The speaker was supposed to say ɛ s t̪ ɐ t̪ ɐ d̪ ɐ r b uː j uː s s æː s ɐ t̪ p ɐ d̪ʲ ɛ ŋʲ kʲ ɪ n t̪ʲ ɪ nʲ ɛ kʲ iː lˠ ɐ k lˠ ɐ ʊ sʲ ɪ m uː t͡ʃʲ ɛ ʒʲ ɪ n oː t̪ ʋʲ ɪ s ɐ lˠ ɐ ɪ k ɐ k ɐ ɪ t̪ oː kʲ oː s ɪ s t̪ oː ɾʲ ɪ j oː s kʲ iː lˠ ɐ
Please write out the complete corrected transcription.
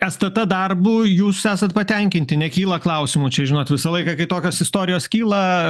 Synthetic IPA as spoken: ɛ s t̪ ɐ t̪ ɐ d̪ ɐ r b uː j uː s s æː s ɐ t̪ p ɐ t̪ʲ ɛ ŋʲ kʲ ɪ n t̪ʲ ɪ nʲ ɛ kʲ iː lˠ ɐ k lˠ ɐ ʊ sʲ ɪ m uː t͡ʃʲ ɛ ʒʲ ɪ n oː t̪ ʋʲ ɪ s ɐ lˠ ɐ ɪ k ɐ k ɐ ɪ t̪ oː kʲ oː s ɪ s t̪ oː ɾʲ ɪ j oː s kʲ iː lˠ ɐ